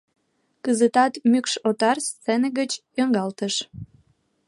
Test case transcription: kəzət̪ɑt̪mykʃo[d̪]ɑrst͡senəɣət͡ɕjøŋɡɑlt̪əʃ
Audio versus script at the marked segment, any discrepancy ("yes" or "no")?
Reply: yes